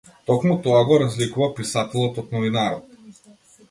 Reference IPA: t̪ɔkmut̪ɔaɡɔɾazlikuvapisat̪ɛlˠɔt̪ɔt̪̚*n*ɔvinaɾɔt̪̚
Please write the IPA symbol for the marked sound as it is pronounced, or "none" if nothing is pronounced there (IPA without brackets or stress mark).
n